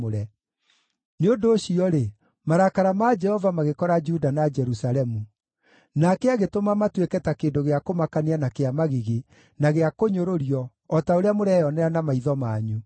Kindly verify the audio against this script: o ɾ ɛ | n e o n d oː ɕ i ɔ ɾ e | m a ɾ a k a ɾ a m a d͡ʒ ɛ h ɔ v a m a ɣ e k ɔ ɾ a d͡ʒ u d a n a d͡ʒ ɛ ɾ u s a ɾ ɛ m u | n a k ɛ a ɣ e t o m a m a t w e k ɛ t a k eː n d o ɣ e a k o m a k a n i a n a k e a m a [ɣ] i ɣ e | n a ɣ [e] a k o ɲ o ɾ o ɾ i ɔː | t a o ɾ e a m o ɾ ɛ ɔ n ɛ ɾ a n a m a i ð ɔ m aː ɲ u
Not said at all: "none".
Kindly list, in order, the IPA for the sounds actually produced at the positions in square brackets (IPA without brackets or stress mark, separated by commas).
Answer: ɣ, e